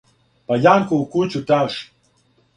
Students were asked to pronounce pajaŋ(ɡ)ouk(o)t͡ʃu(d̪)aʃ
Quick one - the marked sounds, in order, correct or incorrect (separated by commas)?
incorrect, incorrect, incorrect